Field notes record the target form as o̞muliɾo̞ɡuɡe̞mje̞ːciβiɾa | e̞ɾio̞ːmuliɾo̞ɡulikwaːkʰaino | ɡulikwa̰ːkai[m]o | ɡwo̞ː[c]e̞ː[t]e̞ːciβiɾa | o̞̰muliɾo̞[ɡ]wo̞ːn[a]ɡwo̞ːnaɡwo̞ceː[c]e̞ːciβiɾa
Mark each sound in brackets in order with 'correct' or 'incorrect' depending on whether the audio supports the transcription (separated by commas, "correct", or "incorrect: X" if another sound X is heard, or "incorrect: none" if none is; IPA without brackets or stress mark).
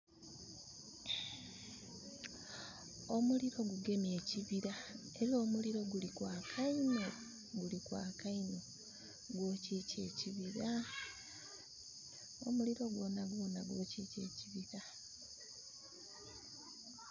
incorrect: n, correct, incorrect: c, correct, correct, correct